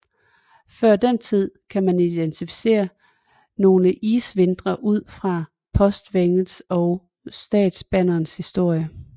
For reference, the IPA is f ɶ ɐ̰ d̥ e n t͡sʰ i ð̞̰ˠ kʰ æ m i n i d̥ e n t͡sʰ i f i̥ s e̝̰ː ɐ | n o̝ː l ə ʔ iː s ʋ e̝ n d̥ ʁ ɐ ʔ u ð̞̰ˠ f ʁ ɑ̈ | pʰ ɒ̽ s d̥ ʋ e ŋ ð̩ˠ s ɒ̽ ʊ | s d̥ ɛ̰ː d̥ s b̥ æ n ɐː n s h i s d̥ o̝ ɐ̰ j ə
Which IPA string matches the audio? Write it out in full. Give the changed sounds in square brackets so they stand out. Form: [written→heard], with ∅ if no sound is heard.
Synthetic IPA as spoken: f ɶ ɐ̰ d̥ e n t͡sʰ i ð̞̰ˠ kʰ æ m [i→æ] n i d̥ e n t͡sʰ i f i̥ s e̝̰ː ɐ | n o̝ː l ə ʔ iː s ʋ e̝ n d̥ ʁ ɐ ʔ u ð̞̰ˠ f ʁ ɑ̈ | pʰ ɒ̽ s d̥ ʋ e ŋ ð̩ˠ s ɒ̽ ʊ | s d̥ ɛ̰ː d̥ s b̥ æ n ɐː n s h i s d̥ o̝ ɐ̰ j ə